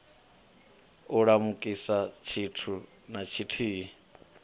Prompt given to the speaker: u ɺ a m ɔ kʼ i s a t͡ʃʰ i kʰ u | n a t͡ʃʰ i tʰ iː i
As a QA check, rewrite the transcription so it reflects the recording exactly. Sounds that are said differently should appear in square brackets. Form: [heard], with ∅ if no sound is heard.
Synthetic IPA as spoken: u ɺ a m [u] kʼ i s a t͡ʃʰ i [tʰ] u | n a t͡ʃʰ i tʰ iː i